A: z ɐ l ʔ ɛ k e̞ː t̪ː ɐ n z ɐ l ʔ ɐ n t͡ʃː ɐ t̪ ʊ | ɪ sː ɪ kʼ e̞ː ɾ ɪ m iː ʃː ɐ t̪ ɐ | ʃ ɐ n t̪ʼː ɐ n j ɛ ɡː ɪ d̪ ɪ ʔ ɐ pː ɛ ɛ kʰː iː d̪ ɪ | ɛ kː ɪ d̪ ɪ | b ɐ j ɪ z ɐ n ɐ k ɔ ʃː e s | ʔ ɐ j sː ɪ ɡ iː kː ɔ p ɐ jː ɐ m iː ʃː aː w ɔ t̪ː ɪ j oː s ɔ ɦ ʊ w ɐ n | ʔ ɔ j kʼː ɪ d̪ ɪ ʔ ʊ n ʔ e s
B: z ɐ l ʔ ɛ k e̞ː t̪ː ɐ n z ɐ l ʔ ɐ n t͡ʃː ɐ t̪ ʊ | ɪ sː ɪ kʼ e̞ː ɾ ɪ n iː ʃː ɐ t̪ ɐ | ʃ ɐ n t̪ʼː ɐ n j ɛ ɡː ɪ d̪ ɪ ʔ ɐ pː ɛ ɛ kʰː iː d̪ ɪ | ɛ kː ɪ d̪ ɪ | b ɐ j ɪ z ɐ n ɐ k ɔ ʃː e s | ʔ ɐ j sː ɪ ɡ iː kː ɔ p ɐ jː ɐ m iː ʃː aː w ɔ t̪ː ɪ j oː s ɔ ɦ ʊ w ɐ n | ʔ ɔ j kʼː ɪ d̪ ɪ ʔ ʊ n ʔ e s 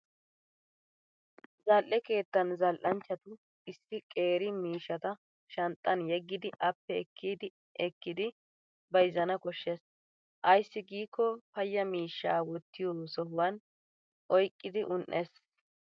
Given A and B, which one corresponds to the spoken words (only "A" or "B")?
A